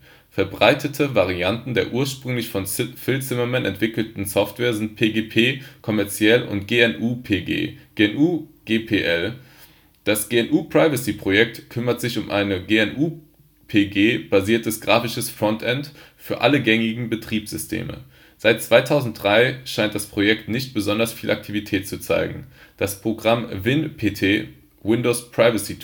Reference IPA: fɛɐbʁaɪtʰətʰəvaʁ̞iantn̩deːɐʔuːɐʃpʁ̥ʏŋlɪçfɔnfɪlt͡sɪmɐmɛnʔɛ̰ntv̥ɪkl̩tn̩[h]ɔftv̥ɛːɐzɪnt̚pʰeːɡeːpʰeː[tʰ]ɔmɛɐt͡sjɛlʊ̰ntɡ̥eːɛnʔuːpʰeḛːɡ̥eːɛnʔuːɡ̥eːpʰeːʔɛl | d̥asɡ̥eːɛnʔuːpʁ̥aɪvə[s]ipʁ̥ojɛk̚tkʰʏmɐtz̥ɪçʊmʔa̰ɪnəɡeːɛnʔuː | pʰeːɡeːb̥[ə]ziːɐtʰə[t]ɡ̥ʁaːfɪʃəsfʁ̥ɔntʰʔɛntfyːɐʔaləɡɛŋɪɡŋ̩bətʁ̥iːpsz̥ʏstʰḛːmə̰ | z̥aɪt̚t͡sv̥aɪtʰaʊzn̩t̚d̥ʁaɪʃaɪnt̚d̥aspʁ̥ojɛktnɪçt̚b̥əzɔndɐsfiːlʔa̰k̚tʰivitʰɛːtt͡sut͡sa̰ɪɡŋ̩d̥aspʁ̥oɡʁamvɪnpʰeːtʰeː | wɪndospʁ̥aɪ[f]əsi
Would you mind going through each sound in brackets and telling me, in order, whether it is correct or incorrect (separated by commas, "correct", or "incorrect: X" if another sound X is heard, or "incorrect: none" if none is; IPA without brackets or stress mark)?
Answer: incorrect: s, incorrect: kʰ, correct, incorrect: a, incorrect: s, incorrect: v